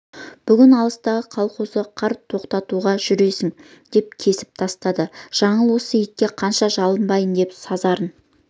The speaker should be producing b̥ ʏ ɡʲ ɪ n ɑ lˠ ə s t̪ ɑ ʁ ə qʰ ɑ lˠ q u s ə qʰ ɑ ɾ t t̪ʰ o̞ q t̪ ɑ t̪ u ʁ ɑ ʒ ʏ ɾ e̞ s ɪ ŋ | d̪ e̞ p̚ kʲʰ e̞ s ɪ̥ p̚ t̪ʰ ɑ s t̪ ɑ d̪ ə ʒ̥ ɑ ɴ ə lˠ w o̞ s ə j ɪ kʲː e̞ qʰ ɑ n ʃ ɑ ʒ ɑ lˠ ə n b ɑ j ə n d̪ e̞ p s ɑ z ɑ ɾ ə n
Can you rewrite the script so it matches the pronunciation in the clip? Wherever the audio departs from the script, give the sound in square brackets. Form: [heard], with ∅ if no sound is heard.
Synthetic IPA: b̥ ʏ ɡʲ ɪ n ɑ lˠ ə s t̪ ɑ ʁ ə qʰ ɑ lˠ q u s ə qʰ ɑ ɾ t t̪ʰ o̞ q t̪ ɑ t̪ u ʁ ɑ ʒ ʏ ɾ e̞ s ɪ ŋ | d̪ e̞ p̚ kʲʰ e̞ s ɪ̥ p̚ t̪ʰ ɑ s t̪ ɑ d̪ ə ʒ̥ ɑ ɴ ə lˠ w o̞ s ə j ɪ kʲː e̞ qʰ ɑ n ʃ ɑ ʒ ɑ lˠ ə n b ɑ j ə n d̪ e̞ p s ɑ z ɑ ɾ ə n